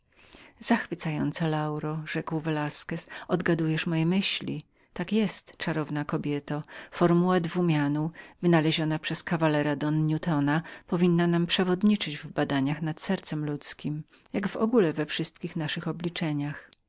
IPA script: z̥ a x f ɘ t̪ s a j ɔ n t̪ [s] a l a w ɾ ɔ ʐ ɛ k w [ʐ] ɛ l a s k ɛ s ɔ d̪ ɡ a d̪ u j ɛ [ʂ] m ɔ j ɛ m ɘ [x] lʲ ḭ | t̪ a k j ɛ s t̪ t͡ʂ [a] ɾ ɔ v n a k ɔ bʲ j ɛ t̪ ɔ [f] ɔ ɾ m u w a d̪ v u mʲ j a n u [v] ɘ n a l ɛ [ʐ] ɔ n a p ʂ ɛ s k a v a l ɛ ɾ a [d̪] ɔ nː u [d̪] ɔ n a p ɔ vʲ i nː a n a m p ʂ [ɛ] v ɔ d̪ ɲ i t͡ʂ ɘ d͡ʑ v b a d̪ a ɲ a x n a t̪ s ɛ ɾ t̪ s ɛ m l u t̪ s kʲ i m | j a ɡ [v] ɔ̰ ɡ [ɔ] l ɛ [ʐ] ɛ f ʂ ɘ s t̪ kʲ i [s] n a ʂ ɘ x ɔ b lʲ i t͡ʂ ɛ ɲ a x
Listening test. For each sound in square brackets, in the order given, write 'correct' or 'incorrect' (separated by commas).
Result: correct, incorrect, correct, incorrect, correct, correct, correct, incorrect, correct, incorrect, correct, correct, incorrect, incorrect, incorrect